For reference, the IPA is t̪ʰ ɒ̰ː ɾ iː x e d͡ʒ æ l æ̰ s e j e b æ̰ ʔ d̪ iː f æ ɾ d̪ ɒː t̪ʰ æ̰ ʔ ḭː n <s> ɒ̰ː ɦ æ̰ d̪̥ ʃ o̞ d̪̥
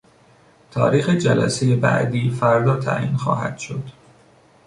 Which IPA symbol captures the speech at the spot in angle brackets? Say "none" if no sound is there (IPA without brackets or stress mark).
x